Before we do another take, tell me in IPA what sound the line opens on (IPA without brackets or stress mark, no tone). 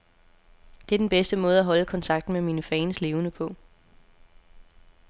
d̥